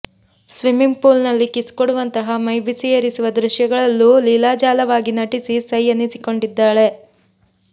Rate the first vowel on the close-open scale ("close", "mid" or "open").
close